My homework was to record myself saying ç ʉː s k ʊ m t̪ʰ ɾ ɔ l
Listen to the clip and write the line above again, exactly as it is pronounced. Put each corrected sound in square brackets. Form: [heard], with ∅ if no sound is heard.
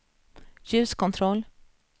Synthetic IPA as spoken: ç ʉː s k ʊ [n] t̪ʰ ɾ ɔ l